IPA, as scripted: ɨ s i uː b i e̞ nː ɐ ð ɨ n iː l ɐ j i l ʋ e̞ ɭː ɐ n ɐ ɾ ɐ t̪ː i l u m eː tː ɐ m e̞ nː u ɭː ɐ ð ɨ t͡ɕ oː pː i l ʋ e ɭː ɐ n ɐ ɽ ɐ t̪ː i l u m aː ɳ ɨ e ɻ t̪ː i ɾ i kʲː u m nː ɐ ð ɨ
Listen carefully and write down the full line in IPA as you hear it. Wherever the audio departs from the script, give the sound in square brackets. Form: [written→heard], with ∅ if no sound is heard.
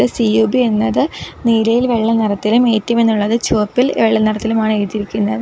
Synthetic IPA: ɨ s i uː b i e̞ nː ɐ ð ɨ n iː l ɐ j i l ʋ e̞ ɭː ɐ n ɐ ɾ ɐ t̪ː i l u m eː tː ɐ m e̞ nː u ɭː ɐ ð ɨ t͡ɕ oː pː i l ʋ e ɭː ɐ n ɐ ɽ ɐ t̪ː i l u m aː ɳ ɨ e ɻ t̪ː i ɾ i kʲː u [m→∅] nː ɐ ð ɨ